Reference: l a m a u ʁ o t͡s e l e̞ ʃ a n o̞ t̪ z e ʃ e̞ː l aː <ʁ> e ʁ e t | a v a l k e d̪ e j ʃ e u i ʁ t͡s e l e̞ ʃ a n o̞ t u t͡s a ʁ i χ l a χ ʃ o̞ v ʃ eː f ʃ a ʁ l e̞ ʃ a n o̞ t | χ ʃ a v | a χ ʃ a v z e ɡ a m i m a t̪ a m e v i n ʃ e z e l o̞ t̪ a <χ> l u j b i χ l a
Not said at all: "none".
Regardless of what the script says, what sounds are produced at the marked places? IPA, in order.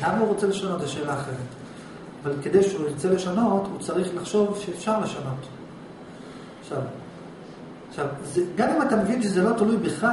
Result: χ, none

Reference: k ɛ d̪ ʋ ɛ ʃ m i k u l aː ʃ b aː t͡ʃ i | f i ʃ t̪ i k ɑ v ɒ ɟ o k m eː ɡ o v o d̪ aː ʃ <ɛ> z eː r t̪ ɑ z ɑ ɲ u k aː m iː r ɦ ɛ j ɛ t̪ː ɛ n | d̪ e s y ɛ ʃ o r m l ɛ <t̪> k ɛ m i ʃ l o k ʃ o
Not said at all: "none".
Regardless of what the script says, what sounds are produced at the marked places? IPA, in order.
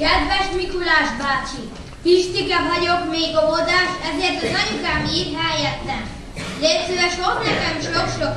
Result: ɛ, none

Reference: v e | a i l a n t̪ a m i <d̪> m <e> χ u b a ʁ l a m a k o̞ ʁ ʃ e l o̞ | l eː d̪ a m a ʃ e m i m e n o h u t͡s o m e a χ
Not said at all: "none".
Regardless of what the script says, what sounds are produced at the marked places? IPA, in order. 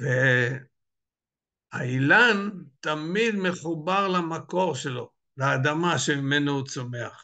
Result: d̪, e

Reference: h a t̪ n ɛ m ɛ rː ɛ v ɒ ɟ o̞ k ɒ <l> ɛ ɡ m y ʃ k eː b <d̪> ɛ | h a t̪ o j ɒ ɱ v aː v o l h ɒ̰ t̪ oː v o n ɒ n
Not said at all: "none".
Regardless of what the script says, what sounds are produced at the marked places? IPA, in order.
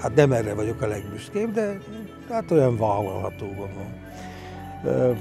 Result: l, d̪

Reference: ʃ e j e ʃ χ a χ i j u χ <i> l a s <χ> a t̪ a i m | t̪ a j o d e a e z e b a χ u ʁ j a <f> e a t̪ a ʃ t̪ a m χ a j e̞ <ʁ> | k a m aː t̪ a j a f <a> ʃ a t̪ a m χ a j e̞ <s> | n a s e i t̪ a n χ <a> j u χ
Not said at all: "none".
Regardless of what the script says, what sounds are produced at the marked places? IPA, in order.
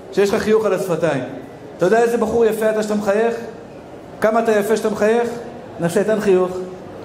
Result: a, f, f, χ, e, χ, i

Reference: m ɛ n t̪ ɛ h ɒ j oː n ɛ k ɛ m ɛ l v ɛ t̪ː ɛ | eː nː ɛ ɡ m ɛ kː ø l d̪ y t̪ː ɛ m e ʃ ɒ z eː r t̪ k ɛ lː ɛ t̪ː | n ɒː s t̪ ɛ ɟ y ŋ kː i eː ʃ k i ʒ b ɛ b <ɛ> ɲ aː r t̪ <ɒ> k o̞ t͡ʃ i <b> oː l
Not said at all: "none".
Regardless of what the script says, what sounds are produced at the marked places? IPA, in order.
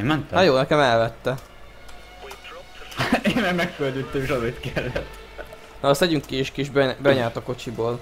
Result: ɛ, ɒ, b

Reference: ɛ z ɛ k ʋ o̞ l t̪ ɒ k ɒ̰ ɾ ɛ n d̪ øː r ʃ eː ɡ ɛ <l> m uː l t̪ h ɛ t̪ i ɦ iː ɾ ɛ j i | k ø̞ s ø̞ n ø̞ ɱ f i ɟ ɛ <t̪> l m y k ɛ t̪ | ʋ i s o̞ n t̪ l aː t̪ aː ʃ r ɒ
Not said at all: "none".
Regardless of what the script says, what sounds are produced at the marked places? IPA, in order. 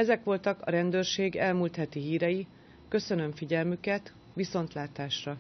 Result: l, none

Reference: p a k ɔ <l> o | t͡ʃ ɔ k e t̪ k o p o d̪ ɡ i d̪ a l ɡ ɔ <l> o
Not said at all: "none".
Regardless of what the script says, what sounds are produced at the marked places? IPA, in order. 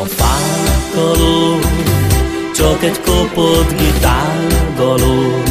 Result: l, l

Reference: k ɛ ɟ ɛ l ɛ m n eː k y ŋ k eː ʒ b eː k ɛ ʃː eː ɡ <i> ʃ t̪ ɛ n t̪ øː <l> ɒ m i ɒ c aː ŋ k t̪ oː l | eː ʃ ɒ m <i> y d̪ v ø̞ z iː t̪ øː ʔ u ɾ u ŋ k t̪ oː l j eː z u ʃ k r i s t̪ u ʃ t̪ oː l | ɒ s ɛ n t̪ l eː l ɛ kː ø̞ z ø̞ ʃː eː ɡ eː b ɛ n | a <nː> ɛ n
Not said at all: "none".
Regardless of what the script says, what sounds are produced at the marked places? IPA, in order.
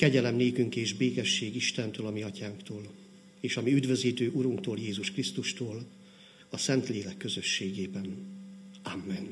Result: i, l, i, mː

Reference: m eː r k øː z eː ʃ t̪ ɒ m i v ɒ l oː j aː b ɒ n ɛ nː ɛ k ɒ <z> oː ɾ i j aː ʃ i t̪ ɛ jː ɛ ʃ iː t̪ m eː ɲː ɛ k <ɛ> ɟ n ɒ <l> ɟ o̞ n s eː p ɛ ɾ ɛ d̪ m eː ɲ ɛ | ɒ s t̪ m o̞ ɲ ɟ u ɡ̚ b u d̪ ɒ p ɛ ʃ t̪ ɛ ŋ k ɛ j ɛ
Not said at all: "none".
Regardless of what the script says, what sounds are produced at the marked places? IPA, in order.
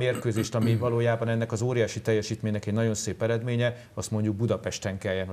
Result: z, ɛ, none

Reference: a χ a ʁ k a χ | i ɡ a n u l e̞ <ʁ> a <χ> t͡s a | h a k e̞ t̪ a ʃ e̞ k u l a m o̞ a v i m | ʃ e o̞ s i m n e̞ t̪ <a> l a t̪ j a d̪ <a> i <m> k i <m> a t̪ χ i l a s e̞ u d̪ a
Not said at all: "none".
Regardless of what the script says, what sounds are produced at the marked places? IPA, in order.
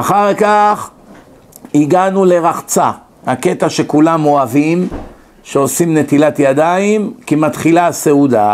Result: ʁ, χ, i, a, m, m

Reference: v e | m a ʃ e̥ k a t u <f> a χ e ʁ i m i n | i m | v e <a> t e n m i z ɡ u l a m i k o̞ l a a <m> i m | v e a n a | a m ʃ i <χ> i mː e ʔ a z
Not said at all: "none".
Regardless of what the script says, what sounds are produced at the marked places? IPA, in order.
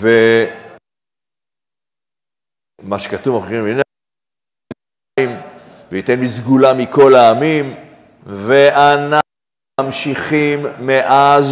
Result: v, i, m, χ

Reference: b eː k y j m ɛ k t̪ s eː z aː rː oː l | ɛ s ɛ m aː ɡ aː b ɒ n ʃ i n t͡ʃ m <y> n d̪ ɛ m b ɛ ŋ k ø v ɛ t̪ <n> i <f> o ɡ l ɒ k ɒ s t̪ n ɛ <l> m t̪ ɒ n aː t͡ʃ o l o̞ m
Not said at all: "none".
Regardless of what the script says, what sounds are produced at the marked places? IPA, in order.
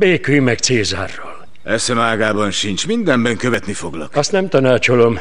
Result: i, n, f, none

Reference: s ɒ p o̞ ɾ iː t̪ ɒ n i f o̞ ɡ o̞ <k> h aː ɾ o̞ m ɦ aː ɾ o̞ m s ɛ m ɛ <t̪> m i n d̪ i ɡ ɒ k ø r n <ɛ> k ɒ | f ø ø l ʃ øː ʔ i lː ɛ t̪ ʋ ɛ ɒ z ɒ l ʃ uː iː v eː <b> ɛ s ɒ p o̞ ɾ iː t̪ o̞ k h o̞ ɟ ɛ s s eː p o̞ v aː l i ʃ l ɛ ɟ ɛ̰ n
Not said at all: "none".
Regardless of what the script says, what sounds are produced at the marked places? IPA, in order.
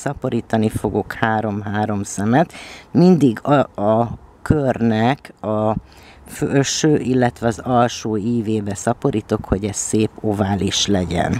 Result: k, t̪, ɛ, b

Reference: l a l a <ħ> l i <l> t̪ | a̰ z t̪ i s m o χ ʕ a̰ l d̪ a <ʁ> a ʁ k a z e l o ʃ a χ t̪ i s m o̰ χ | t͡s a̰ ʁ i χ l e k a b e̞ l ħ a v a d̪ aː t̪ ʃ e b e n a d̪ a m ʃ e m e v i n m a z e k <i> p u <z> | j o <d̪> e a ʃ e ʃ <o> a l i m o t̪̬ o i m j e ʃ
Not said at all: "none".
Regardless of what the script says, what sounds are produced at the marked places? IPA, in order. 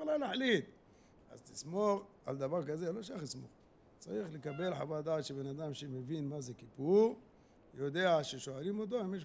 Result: ħ, none, v, i, ʁ, d̪, o

